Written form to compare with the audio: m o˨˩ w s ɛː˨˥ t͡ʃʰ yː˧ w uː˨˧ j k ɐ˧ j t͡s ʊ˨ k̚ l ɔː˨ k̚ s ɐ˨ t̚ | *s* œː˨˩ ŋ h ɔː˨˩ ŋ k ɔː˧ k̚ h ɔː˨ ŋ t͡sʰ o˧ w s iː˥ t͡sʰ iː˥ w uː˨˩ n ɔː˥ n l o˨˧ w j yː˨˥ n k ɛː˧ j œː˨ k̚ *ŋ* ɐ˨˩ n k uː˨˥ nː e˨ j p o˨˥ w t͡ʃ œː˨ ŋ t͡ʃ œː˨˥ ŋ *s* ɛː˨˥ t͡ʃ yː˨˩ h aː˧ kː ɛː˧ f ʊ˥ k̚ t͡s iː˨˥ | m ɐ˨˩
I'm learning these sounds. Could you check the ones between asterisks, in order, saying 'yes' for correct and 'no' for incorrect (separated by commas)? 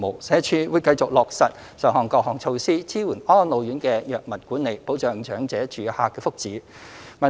yes, no, no